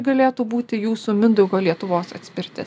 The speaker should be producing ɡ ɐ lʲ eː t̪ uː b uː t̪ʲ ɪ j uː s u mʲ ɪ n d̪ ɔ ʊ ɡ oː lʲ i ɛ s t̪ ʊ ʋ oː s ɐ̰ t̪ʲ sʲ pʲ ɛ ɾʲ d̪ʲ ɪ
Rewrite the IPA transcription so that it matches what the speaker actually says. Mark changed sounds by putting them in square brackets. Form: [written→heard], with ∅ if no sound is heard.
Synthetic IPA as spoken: ɡ ɐ lʲ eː t̪ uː b uː t̪ʲ ɪ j uː s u mʲ ɪ n d̪ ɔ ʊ ɡ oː lʲ i ɛ [s→∅] t̪ ʊ ʋ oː s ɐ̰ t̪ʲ sʲ pʲ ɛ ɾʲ [d̪ʲ→t̪ʲ] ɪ